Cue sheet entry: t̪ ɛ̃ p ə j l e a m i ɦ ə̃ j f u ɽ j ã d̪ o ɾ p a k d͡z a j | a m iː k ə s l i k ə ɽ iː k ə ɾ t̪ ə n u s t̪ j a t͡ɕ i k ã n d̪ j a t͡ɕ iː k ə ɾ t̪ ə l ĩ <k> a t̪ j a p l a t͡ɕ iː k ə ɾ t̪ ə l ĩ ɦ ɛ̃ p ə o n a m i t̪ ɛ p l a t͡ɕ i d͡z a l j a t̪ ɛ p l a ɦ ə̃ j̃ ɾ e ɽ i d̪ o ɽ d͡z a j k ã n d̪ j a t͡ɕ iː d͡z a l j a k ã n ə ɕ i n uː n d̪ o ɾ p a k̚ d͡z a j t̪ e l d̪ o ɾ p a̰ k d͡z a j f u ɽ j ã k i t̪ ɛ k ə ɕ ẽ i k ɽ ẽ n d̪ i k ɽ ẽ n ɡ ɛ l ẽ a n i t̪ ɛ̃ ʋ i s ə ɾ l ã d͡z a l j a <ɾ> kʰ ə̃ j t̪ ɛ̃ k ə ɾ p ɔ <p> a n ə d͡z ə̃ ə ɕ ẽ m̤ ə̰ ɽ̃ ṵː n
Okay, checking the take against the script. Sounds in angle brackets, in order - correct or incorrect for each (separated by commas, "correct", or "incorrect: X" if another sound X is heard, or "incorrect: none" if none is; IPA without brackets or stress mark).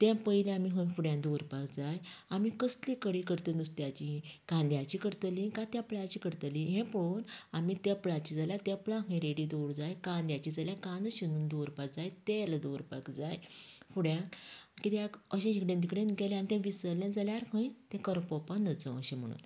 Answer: correct, correct, correct